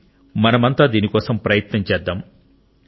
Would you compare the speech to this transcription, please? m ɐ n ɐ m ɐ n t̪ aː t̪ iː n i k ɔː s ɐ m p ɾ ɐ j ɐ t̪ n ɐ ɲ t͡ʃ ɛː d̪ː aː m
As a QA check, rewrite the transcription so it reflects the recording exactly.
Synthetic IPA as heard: m ɐ n ɐ m ɐ n t̪ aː d̪ iː n i k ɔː s ɐ m p ɾ ɐ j ɐ t̪ n ɐ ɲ t͡ʃ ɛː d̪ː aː m